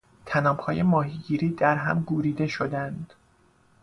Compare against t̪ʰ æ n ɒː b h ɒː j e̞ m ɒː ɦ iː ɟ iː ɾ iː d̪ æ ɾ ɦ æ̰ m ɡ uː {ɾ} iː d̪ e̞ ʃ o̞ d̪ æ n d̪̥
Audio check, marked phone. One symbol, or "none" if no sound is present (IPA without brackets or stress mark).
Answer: ɾ